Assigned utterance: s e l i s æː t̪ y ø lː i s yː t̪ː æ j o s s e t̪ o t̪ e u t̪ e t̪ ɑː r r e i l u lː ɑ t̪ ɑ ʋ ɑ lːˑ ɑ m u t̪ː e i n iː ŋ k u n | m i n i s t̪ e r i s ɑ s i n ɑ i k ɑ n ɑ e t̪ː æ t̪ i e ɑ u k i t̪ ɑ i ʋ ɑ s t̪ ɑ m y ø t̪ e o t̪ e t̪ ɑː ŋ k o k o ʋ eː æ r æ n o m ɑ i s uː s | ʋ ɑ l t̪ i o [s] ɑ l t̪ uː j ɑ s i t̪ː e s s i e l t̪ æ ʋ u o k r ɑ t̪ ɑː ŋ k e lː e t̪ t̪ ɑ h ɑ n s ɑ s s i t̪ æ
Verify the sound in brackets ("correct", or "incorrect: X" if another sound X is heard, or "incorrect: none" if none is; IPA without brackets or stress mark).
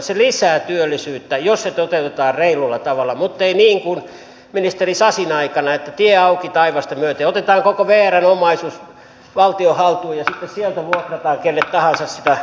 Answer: incorrect: h